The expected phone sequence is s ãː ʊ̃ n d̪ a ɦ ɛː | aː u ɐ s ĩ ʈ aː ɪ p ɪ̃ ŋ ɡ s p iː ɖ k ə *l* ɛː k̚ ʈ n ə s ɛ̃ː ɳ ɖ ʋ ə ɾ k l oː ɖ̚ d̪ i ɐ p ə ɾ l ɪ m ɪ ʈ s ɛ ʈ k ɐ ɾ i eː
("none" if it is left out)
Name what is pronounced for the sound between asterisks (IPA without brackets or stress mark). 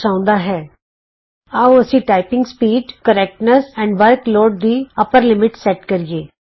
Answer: ɾ